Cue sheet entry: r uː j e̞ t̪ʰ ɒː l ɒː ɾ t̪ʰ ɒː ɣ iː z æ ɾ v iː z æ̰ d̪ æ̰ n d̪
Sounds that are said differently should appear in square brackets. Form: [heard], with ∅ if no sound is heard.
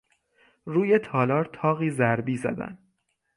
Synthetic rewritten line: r uː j e̞ t̪ʰ ɒː l ɒː ɾ t̪ʰ ɒː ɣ iː z æ ɾ [b] iː z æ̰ d̪ æ̰ n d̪

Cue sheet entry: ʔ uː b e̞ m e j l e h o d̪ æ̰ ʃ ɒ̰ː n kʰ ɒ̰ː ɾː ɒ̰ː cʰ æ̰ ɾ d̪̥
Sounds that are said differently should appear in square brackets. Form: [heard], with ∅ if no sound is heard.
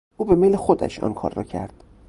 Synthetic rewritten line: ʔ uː b e̞ m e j l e [x] o d̪ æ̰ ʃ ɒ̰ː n kʰ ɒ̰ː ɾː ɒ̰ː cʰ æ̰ ɾ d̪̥

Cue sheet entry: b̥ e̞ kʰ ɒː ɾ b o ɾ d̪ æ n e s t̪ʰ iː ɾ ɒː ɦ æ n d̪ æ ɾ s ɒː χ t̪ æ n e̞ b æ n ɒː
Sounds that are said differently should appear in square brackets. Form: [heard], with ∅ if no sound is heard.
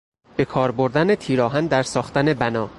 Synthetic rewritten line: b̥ e̞ kʰ ɒː ɾ b o ɾ d̪ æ n e [∅] t̪ʰ iː ɾ ɒː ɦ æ n d̪ æ ɾ s ɒː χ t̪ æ n e̞ b æ n ɒː

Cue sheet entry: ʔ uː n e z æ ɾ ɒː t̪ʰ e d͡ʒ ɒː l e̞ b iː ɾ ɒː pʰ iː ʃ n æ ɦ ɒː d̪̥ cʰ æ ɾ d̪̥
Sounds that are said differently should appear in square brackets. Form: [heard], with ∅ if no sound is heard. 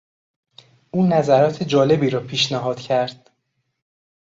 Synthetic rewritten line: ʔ uː n [æ] z æ ɾ ɒː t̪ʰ e d͡ʒ ɒː l e̞ b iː ɾ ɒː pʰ iː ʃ n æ ɦ ɒː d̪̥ cʰ æ ɾ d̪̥

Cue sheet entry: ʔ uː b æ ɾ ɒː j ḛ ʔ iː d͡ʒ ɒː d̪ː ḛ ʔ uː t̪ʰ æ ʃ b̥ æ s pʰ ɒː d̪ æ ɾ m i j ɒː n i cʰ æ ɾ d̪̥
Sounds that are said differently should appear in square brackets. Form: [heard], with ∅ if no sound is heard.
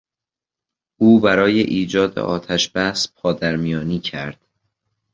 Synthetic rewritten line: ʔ uː b æ ɾ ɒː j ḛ ʔ iː d͡ʒ ɒː [d̪] ḛ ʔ [ɒː] t̪ʰ æ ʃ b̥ æ s pʰ ɒː d̪ æ ɾ m i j ɒː n [iː] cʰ æ ɾ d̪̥

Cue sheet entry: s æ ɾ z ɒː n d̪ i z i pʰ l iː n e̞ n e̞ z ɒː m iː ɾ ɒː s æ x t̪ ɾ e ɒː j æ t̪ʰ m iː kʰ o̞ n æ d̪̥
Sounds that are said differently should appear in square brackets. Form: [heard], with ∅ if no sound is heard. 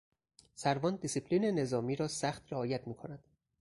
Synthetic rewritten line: s æ ɾ [v] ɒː n d̪ i [s] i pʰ l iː n e̞ n e̞ z ɒː m iː ɾ ɒː s æ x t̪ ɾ e ɒː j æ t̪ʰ m iː kʰ o̞ n æ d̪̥

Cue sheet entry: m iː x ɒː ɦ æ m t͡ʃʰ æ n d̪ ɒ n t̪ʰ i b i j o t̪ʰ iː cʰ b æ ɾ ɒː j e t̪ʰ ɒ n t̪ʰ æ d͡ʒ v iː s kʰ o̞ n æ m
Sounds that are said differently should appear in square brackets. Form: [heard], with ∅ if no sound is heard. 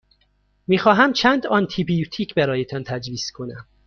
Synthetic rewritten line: m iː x ɒː ɦ æ m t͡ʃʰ æ n d̪ ɒ n t̪ʰ i b i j [u] t̪ʰ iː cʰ b æ ɾ ɒː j e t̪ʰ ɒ n t̪ʰ æ d͡ʒ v iː s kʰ o̞ n æ m

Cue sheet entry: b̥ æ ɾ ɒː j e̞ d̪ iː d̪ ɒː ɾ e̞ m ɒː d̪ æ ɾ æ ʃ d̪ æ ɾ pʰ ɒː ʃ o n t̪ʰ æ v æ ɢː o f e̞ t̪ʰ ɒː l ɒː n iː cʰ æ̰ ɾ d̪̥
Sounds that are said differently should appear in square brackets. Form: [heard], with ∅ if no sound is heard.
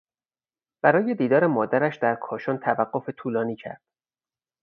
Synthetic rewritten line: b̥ æ ɾ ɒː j e̞ d̪ iː d̪ ɒː ɾ e̞ m ɒː d̪ æ ɾ æ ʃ d̪ æ ɾ [kʰ] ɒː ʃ o n t̪ʰ æ v æ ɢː o f e̞ t̪ʰ [uː] l ɒː n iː cʰ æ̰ ɾ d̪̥

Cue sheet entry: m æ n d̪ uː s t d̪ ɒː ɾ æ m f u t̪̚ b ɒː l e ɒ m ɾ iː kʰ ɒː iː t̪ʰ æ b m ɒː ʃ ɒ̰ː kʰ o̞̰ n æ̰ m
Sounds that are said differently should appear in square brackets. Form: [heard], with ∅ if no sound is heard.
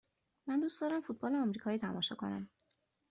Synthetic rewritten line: m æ n d̪ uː s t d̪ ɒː ɾ æ m f u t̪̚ b ɒː l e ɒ m ɾ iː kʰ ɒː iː t̪ʰ æ [∅] m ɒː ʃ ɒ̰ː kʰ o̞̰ n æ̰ m

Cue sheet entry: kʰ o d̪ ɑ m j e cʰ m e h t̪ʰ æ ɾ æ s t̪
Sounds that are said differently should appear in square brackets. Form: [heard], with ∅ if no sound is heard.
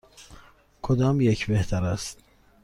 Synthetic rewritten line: kʰ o d̪ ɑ m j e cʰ [b] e h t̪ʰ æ ɾ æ s t̪

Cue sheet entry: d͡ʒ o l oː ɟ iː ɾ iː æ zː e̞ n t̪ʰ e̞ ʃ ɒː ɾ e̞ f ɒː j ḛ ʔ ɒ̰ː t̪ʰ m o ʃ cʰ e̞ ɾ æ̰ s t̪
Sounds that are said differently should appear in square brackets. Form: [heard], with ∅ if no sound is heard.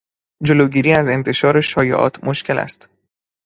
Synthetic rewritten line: d͡ʒ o l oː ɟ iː ɾ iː æ [z] e̞ n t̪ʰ e̞ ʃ ɒː ɾ e̞ [ʃ] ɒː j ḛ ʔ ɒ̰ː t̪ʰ m o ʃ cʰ e̞ [l] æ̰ s t̪

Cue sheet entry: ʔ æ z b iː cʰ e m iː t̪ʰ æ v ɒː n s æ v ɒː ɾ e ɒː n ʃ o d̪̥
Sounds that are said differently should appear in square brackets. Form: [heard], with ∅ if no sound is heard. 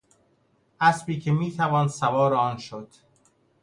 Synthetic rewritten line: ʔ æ [s] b iː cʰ e m iː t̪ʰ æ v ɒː n s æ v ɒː ɾ e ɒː n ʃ o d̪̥

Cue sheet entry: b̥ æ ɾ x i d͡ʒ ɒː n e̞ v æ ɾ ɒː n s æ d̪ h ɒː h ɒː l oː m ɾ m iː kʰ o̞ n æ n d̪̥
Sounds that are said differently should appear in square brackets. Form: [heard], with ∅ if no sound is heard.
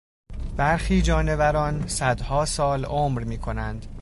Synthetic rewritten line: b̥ æ ɾ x [iː] d͡ʒ ɒː n e̞ v æ ɾ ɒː n s æ d̪ h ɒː [s] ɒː l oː m ɾ m iː kʰ o̞ n æ n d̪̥

